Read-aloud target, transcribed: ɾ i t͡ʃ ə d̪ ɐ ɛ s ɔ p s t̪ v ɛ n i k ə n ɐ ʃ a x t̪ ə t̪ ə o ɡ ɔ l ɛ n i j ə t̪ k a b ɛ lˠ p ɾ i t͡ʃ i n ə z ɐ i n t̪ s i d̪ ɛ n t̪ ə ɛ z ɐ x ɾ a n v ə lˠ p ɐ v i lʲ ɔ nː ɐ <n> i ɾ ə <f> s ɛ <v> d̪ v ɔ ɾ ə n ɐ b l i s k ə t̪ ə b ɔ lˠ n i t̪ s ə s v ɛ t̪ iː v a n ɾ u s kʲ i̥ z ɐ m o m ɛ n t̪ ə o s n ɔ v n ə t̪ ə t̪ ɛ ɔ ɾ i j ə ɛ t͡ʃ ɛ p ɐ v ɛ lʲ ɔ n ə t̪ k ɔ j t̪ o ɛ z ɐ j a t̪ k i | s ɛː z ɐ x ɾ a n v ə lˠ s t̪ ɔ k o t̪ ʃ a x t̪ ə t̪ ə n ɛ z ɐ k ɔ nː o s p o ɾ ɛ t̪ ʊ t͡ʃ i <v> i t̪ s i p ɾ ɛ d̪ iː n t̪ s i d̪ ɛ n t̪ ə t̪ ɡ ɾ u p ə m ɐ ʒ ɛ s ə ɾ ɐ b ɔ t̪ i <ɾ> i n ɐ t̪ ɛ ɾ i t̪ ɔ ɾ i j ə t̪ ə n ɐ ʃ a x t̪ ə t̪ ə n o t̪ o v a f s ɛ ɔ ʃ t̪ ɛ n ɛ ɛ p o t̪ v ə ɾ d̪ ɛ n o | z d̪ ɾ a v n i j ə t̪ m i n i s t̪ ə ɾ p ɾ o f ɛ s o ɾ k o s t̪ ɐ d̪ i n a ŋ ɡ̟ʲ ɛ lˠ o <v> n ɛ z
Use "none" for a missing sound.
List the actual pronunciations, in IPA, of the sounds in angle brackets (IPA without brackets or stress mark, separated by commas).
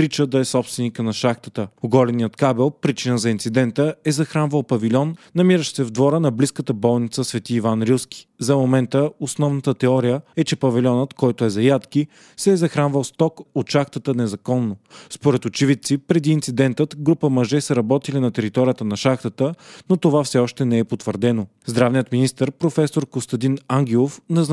m, ʃ, v, v, l, f